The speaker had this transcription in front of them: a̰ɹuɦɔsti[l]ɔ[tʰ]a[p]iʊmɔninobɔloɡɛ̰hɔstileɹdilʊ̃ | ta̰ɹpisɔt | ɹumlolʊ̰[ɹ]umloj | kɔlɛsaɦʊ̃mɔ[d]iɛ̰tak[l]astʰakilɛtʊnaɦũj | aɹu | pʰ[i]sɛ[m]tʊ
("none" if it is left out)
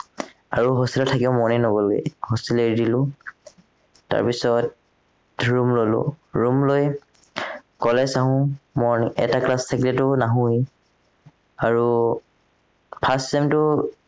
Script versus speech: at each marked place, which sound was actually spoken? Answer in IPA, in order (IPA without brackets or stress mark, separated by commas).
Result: l, tʰ, k, ɹ, n, l, a, m